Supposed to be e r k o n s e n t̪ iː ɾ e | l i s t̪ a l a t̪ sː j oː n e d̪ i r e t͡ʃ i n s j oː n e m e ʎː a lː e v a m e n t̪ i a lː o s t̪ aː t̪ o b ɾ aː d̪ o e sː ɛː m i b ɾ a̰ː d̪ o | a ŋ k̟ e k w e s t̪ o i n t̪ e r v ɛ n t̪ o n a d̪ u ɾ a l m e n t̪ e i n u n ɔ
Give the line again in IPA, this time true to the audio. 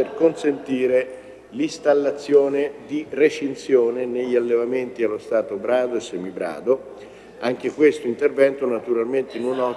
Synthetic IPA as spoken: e r k o n s e n t̪ iː ɾ e | l i s t̪ a lː a t̪ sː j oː n e d̪ i r e t͡ʃ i n s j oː n e n e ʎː a lː e v a m e n t̪ i a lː o s t̪ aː t̪ o b ɾ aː d̪ o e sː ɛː m i b ɾ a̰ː d̪ o | a ŋ k̟ e k w e s t̪ o i n t̪ e r v ɛ n t̪ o n a t̪ u ɾ a l m e n t̪ e i n u n ɔ